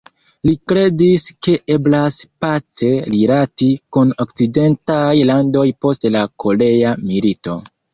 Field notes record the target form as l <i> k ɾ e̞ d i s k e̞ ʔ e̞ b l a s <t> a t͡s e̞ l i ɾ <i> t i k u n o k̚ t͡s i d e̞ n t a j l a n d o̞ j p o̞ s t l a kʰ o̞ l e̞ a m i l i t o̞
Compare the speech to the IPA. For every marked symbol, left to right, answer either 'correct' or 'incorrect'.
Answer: correct, incorrect, incorrect

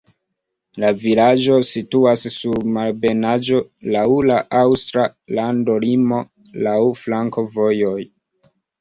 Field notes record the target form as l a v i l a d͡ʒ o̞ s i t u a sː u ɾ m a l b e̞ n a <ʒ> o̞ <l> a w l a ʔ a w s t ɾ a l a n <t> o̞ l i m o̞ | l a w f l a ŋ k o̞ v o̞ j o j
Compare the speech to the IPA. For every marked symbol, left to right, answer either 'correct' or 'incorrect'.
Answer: incorrect, correct, incorrect

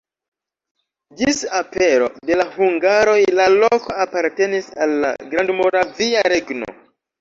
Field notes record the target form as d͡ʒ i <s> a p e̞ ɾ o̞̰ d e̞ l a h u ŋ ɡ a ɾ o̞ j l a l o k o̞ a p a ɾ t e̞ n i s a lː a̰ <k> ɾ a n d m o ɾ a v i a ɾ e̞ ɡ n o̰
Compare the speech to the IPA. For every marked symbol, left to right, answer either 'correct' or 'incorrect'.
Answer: correct, incorrect

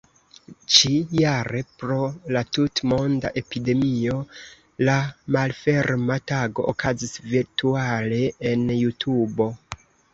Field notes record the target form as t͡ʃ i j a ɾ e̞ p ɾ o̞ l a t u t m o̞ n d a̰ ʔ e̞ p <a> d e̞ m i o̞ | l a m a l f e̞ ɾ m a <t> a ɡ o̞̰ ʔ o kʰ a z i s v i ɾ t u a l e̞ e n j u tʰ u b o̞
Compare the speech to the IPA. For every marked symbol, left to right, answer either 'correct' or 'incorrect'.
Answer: incorrect, correct

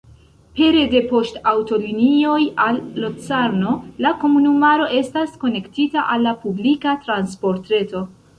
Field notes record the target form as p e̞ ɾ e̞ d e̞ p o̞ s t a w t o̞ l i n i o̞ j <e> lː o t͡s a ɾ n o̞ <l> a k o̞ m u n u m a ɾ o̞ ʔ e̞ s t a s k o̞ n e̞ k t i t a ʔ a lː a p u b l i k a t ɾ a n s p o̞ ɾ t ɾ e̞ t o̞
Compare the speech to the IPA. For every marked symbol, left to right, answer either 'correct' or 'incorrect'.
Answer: incorrect, correct

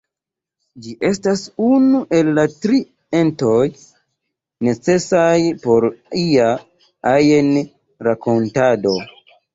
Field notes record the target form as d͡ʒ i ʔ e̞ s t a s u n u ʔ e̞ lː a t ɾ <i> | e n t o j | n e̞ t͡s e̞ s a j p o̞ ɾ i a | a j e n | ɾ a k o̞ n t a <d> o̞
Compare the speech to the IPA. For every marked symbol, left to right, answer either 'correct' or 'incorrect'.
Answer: correct, correct

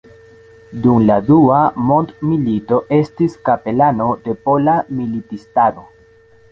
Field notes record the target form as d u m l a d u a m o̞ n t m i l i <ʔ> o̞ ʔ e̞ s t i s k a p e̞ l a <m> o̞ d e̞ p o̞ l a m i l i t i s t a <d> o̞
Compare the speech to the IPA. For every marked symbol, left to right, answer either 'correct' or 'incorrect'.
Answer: incorrect, incorrect, incorrect

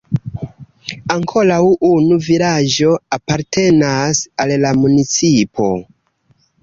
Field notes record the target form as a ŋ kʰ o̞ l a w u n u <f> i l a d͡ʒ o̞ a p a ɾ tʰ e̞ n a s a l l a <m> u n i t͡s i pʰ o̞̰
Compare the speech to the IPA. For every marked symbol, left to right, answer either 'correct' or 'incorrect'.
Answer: incorrect, correct

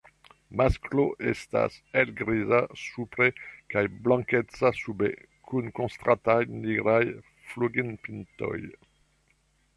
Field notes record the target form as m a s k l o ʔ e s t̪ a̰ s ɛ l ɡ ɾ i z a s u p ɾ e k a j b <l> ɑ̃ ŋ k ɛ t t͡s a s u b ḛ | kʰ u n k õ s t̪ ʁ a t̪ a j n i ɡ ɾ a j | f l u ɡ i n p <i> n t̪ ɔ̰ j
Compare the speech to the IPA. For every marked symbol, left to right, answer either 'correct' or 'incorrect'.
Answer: correct, correct

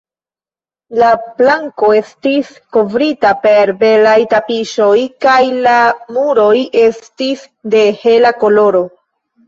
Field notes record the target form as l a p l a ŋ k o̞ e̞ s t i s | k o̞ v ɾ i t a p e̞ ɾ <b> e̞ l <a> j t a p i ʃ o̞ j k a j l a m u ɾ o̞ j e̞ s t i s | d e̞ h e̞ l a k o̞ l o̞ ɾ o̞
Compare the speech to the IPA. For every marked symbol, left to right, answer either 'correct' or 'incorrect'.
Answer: correct, correct

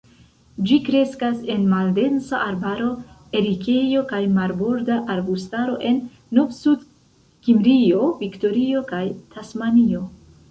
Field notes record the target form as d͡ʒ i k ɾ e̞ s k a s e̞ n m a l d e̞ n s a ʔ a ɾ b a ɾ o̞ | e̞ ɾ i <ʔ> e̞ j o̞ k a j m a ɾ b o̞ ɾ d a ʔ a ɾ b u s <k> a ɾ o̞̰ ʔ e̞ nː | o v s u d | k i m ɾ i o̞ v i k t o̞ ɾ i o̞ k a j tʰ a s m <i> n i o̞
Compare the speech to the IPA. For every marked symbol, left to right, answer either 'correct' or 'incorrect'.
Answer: incorrect, incorrect, incorrect

